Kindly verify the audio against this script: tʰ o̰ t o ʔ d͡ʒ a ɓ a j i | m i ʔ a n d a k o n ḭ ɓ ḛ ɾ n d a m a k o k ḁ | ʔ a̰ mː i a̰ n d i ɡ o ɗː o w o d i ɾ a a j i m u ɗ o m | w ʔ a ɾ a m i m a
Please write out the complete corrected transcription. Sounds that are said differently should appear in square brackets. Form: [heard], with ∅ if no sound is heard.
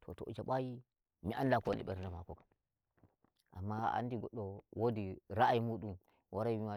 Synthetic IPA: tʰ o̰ t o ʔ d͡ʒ a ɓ a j i | m i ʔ a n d a k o n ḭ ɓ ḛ ɾ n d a m a k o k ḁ | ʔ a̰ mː [a] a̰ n d i ɡ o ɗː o w o d i ɾ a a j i m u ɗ [u] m | w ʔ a ɾ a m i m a